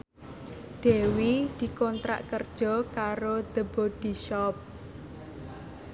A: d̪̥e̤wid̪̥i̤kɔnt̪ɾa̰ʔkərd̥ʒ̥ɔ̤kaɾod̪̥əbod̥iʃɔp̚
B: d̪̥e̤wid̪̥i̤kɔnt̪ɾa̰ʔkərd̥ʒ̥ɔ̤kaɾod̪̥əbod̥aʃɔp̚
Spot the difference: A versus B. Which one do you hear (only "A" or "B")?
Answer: A